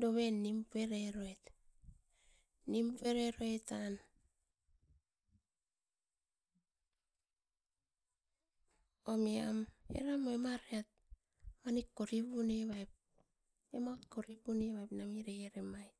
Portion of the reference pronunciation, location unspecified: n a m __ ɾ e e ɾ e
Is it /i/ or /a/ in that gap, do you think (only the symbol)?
i